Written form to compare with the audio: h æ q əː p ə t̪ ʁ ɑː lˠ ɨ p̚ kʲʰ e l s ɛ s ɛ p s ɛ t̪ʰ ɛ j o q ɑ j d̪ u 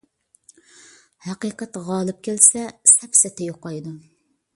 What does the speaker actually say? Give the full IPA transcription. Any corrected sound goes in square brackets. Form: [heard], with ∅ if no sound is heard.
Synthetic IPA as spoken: h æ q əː [q] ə t̪ ʁ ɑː lˠ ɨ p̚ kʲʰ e l s ɛ s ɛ p s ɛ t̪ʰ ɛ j o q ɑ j d̪ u